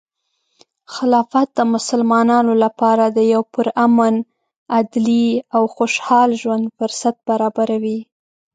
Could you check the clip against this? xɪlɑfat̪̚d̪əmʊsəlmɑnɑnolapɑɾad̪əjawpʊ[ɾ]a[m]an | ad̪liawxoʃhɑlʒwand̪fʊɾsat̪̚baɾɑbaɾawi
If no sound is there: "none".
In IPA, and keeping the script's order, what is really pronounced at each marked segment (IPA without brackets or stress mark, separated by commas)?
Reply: ɾ, m